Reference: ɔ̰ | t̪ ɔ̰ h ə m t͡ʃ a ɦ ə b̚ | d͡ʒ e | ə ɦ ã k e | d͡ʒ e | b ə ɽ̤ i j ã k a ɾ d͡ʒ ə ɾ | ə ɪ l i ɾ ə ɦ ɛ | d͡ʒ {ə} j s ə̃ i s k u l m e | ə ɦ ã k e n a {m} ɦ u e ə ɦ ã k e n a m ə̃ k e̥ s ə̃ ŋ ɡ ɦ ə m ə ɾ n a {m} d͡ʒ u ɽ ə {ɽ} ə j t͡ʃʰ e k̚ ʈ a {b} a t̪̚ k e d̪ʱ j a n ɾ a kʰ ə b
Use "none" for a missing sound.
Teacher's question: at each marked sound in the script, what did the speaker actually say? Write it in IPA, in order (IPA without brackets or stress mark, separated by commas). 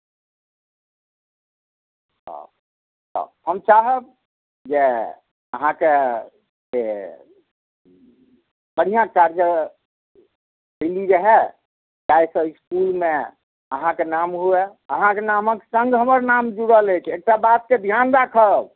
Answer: a, m, m, l, b